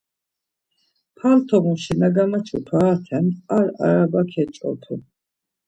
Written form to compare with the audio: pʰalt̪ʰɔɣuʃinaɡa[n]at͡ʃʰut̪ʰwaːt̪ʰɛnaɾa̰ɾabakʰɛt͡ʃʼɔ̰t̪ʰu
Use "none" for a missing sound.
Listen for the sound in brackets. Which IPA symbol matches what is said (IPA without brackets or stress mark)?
m